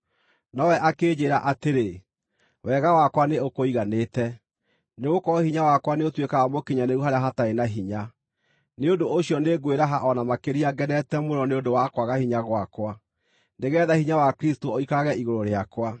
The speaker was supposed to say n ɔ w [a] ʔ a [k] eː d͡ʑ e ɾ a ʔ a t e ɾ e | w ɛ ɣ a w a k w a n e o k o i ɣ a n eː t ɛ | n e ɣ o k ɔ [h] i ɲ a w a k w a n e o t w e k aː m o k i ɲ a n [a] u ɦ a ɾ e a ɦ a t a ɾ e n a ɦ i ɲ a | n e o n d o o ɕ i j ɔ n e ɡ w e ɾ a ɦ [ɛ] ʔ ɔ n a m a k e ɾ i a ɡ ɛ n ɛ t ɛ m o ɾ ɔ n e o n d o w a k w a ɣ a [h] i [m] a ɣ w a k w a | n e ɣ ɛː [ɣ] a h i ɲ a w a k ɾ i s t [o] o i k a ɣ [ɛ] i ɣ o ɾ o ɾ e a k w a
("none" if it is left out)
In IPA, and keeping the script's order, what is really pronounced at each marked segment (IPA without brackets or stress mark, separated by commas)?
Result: ɛ, k, h, e, a, h, ɲ, ð, o, ɛ